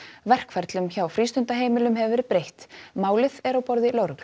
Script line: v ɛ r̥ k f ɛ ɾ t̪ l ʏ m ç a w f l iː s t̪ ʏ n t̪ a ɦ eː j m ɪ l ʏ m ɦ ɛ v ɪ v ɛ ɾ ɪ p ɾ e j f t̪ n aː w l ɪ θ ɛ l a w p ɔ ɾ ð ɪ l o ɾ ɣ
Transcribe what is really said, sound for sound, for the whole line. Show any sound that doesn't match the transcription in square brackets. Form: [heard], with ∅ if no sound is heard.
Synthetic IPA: v ɛ r̥ k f ɛ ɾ t̪ l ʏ m ç a w f [ɾ] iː s t̪ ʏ n t̪ a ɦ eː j m ɪ l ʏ m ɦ ɛ v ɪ v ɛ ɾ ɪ p ɾ e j [h] t̪ [m] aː w l ɪ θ ɛ [ɾ] a w p ɔ ɾ ð ɪ l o ɾ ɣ

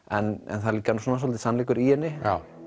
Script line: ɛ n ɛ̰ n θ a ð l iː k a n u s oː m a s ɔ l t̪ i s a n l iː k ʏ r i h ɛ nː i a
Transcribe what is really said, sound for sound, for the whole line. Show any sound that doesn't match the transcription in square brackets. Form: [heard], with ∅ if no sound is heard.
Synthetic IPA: ɛ n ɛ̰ n θ a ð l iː k a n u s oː [n] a s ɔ l t̪ [ɪ] s a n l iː k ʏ [ɾ] i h ɛ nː [ɪ] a

